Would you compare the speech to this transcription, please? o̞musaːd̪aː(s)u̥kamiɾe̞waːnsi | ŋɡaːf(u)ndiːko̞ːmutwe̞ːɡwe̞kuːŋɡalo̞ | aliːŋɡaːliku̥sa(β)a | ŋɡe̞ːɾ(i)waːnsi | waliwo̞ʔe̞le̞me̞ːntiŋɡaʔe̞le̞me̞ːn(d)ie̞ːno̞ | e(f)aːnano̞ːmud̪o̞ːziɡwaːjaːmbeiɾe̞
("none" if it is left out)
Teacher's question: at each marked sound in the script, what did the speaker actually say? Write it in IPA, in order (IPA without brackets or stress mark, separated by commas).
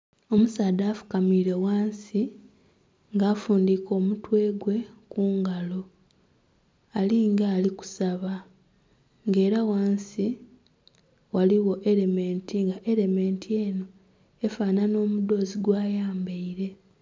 f, uː, β, a, t, f